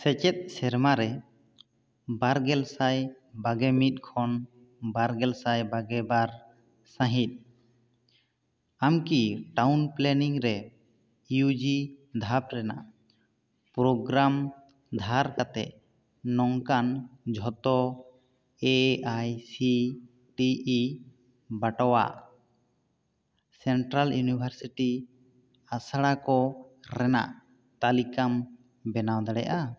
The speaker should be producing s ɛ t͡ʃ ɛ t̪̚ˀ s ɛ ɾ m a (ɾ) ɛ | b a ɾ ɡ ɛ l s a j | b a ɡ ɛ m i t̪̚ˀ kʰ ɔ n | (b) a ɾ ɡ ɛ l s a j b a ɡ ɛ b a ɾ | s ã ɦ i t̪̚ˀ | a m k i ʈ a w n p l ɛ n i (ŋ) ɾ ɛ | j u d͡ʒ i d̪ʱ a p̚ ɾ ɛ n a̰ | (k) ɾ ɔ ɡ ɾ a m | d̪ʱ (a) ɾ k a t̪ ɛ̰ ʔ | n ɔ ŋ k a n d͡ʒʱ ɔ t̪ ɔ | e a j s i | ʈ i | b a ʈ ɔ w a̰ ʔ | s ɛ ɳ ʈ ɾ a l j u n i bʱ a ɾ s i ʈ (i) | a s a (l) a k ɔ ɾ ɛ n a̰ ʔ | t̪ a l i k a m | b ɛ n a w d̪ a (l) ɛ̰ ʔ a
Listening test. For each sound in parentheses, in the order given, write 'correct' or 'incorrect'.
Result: correct, correct, correct, incorrect: p, correct, correct, incorrect: ɽ, incorrect: ɽ

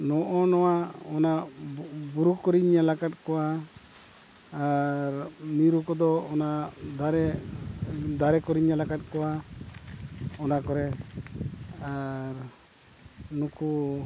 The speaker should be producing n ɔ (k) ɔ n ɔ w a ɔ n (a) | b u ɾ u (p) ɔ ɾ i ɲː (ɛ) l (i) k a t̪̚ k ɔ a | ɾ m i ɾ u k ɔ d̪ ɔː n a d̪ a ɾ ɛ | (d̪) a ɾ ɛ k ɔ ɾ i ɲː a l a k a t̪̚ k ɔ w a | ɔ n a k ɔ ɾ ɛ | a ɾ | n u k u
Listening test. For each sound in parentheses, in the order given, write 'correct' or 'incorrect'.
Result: incorrect: ʔ, correct, incorrect: k, incorrect: a, incorrect: a, correct

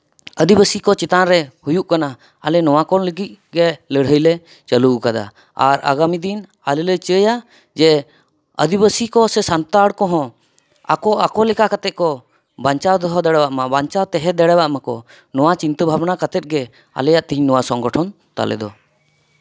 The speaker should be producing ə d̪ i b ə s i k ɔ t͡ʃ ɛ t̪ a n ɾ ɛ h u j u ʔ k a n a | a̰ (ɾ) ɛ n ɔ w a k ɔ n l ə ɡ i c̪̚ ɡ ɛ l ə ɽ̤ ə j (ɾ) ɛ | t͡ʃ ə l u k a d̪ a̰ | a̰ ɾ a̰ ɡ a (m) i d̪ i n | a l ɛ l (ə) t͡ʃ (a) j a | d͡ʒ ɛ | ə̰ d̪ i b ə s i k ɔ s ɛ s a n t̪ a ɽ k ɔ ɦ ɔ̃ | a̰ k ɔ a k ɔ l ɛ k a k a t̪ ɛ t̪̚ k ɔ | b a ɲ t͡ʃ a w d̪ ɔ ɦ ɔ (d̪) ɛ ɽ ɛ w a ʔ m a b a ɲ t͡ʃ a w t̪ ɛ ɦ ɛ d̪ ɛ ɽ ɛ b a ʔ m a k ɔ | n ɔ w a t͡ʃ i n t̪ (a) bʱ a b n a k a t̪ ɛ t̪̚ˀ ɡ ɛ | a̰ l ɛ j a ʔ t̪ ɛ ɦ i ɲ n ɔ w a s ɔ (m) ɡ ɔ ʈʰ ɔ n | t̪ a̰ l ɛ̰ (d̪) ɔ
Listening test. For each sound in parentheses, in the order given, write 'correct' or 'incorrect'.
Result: incorrect: l, incorrect: l, correct, correct, incorrect: ə, correct, incorrect: ə, incorrect: ŋ, correct

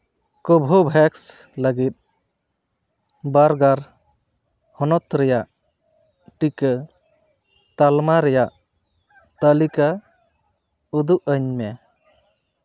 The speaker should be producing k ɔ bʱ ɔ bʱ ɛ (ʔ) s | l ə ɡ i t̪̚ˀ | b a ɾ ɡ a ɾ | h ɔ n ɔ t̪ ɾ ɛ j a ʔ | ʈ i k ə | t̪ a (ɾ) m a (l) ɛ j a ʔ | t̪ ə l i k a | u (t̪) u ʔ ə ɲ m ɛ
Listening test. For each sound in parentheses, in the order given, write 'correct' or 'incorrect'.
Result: incorrect: k, incorrect: l, incorrect: ɾ, incorrect: d̪

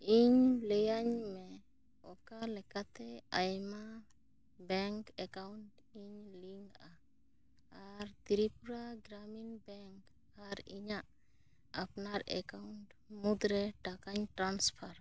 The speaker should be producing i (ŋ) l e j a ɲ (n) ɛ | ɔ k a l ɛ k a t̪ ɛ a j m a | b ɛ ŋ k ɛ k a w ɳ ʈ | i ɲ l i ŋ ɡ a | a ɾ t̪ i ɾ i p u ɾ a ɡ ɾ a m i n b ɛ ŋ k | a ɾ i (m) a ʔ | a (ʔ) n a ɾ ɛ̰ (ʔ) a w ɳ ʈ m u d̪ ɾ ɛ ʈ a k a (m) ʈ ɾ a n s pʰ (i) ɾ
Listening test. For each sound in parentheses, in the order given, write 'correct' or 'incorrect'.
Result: incorrect: ɲ, incorrect: m, incorrect: ɲ, incorrect: p, incorrect: k, incorrect: ɲ, incorrect: a

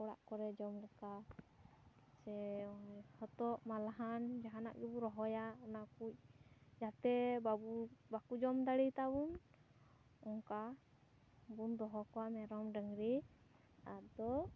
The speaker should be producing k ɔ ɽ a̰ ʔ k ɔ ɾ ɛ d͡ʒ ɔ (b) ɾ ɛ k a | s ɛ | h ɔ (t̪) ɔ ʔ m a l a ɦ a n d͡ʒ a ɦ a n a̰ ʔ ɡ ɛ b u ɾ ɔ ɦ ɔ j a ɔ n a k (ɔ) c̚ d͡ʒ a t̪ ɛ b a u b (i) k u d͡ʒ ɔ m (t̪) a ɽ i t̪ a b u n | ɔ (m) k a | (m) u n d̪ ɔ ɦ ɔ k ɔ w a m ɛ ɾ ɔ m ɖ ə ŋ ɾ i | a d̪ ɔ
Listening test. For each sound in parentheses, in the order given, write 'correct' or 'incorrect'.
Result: incorrect: m, correct, incorrect: u, incorrect: a, incorrect: d̪, incorrect: ŋ, incorrect: b

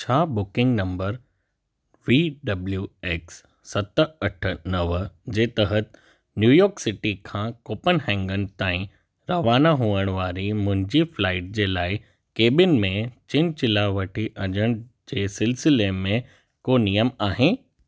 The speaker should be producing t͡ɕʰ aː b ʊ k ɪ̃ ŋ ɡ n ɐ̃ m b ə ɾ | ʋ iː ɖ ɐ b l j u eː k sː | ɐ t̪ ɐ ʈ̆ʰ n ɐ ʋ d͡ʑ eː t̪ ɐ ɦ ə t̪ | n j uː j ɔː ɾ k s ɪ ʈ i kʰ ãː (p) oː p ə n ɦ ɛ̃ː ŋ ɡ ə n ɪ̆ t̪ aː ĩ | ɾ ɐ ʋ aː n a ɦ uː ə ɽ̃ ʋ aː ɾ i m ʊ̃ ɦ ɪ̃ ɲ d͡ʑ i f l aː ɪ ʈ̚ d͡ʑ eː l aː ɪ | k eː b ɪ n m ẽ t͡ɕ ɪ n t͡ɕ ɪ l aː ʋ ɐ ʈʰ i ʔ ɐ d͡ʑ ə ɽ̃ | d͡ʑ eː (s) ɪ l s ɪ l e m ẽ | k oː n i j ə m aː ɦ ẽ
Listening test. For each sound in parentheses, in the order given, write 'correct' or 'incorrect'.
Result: incorrect: k, correct

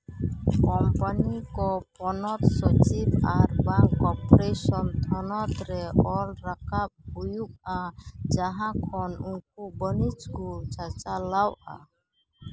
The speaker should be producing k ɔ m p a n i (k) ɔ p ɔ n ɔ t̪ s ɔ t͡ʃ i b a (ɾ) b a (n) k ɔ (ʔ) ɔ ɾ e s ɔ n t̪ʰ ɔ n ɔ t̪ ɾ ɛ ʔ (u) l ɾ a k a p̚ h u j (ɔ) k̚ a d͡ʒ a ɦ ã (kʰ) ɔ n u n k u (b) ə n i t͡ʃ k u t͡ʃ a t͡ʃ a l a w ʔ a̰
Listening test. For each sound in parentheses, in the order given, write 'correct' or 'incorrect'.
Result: correct, correct, incorrect: ŋ, incorrect: p, incorrect: ɔ, incorrect: u, correct, correct

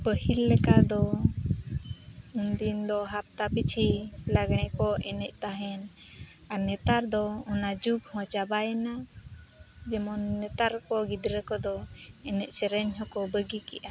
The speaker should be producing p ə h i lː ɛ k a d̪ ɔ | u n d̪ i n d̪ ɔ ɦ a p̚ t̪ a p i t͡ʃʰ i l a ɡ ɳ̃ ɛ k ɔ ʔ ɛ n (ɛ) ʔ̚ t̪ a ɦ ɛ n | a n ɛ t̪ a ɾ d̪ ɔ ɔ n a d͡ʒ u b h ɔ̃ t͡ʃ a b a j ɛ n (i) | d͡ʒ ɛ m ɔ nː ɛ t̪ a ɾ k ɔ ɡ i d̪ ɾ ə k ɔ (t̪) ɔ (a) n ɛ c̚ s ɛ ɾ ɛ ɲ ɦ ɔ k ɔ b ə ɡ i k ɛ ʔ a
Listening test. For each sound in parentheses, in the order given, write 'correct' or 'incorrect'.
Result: correct, incorrect: a, incorrect: d̪, incorrect: ɛ

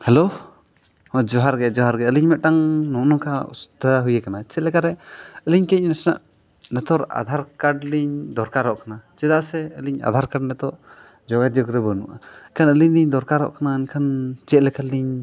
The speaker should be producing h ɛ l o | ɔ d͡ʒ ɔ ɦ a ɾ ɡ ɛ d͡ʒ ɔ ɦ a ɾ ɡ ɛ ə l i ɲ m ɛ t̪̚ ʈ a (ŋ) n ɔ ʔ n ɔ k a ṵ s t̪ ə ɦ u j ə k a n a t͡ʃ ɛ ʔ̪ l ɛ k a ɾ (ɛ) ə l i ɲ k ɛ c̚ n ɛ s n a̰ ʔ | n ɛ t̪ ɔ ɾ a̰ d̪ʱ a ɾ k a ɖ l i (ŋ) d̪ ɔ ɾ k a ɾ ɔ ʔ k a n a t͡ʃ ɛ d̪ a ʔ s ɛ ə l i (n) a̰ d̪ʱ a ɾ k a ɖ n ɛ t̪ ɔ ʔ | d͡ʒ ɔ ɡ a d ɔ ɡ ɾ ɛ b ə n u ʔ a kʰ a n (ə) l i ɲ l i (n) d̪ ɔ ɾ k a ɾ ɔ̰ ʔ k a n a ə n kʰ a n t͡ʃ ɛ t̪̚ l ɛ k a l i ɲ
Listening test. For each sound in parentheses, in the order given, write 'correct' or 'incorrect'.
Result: correct, correct, incorrect: ɲ, incorrect: ɲ, correct, incorrect: ɲ

